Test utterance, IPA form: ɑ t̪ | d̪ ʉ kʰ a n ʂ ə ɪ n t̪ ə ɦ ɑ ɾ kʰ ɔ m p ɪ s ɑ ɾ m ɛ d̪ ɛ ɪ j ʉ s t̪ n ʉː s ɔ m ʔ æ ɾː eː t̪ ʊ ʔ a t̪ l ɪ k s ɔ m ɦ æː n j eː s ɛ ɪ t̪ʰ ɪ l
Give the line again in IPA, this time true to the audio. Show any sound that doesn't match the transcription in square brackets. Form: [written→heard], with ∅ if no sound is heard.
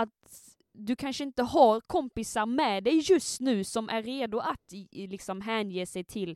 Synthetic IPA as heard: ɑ t̪ | d̪ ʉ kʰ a n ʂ ə ɪ n t̪ ə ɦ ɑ ɾ kʰ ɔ m p ɪ s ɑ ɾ m ɛ d̪ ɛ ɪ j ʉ s t̪ n ʉː s ɔ m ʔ æ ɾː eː [t̪→d̪] ʊ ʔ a t̪ l ɪ k s ɔ m ɦ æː n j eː s ɛ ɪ t̪ʰ ɪ l